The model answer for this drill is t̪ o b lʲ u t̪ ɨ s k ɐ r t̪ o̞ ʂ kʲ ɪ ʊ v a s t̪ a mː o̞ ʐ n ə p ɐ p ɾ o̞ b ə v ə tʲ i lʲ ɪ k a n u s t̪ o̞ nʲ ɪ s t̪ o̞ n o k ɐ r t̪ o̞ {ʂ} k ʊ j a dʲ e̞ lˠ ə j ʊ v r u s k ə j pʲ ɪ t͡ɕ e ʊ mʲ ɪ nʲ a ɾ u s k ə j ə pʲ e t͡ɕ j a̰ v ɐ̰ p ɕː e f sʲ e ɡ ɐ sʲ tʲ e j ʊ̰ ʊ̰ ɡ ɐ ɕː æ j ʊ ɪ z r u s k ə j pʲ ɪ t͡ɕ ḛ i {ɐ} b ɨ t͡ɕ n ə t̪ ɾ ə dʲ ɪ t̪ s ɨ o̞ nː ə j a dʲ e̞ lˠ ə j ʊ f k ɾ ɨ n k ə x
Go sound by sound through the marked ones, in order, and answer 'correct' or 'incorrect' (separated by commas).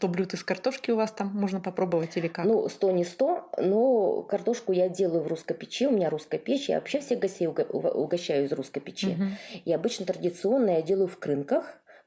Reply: correct, correct